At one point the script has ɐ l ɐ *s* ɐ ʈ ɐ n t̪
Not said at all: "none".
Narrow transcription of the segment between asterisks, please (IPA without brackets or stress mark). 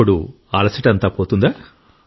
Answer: s